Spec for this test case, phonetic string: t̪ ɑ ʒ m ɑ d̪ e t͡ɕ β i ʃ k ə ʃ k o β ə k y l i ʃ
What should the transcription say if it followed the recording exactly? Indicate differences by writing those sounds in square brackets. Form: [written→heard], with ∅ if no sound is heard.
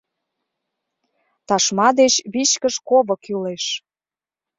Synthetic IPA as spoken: t̪ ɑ [ʒ→ʃ] m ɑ d̪ e t͡ɕ β i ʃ k ə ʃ k o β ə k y l [i→e] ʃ